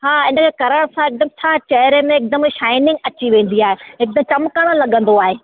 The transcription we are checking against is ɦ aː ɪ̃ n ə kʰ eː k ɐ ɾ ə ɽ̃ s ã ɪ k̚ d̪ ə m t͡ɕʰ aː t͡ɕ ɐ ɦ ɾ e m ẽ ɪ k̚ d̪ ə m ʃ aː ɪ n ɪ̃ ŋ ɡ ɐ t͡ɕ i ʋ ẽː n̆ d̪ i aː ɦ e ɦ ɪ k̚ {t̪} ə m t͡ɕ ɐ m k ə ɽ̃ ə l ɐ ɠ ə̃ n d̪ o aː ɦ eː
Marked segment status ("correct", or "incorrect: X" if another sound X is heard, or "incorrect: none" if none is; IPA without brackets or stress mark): incorrect: d̪